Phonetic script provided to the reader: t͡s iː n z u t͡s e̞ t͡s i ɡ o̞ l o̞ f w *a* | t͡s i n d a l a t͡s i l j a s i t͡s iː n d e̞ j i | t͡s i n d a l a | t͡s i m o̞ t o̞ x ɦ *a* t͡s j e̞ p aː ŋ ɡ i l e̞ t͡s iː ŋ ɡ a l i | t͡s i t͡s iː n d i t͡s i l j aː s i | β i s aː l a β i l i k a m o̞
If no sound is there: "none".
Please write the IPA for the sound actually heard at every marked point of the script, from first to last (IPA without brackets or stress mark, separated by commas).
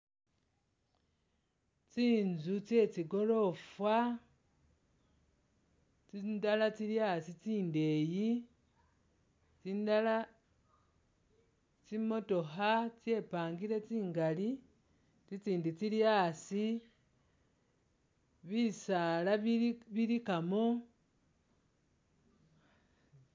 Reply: a, a